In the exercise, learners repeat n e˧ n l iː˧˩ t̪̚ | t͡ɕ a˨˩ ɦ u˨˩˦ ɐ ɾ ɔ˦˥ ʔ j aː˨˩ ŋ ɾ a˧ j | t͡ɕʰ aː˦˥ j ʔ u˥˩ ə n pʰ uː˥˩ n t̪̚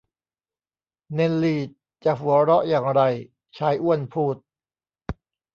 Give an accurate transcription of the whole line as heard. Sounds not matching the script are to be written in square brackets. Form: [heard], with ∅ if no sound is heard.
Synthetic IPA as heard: n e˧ n l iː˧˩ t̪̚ | t͡ɕ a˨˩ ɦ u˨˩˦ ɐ ɾ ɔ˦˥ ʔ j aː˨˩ ŋ ɾ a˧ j | t͡ɕʰ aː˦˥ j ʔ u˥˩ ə n pʰ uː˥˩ [∅] t̪̚